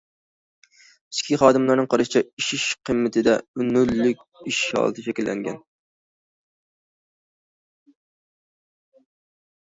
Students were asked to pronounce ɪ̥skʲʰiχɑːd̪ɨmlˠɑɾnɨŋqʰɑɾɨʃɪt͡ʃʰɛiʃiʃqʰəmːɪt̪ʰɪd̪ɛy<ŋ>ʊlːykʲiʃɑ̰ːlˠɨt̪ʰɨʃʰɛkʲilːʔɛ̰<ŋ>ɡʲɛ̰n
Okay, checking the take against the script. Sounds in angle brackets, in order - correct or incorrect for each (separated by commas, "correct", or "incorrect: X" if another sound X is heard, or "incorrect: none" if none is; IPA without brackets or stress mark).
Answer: incorrect: n, correct